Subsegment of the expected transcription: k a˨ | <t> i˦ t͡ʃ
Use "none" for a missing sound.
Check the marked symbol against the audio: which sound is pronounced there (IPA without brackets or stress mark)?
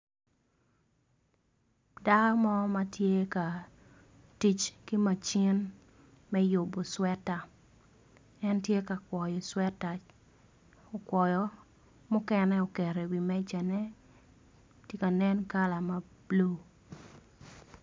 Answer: t